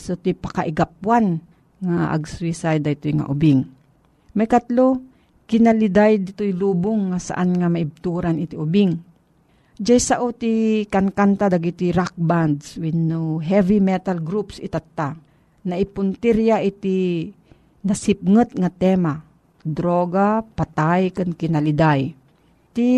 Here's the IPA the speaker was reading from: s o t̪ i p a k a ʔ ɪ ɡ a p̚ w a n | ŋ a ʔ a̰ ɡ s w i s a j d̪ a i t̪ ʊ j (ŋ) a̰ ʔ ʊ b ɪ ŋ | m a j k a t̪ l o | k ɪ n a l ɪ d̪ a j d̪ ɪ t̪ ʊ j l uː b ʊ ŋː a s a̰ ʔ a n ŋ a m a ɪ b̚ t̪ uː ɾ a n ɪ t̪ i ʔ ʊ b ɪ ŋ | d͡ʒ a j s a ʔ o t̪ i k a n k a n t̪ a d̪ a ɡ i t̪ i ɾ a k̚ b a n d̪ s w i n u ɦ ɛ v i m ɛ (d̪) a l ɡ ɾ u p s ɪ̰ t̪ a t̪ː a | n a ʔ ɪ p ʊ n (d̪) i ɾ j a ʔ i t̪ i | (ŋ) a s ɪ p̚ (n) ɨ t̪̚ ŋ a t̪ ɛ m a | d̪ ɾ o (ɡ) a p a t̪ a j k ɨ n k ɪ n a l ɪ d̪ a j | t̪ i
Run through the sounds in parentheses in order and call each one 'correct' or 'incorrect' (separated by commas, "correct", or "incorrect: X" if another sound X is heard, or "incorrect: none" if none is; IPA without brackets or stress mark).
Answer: correct, incorrect: t̪, incorrect: t̪, incorrect: n, incorrect: ŋ, correct